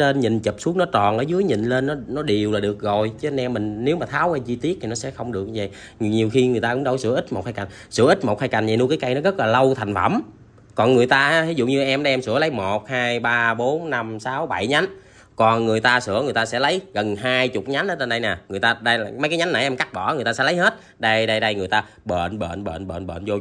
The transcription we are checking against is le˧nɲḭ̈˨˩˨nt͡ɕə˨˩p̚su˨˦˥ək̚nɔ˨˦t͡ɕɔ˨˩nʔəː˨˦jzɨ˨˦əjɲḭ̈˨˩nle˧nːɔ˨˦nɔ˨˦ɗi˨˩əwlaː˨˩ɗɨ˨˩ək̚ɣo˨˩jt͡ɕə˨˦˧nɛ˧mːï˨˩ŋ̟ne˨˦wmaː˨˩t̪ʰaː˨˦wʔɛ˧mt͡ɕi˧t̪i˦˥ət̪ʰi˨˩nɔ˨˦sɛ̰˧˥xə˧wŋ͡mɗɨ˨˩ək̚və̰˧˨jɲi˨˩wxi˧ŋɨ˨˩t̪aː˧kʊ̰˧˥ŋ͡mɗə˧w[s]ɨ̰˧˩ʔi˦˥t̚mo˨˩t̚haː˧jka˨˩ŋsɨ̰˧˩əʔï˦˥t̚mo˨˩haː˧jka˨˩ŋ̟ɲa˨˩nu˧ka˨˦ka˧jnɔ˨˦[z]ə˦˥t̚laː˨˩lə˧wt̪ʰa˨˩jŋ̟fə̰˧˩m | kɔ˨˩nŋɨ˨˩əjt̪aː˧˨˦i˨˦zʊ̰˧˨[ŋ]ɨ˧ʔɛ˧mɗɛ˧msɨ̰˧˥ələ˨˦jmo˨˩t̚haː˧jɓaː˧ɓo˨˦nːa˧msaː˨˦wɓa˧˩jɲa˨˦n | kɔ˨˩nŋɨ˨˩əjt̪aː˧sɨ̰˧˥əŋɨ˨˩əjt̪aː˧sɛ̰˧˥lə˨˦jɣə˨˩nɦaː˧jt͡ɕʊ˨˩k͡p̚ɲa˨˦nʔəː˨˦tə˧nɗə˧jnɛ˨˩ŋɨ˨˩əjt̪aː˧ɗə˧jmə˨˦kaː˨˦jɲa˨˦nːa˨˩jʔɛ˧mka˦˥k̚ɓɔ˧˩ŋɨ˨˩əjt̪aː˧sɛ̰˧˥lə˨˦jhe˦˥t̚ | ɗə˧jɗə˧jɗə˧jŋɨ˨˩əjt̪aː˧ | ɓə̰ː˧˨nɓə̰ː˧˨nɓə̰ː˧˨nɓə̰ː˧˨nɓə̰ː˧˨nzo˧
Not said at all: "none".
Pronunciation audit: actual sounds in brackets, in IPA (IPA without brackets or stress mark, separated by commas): s, ɣ, ɲ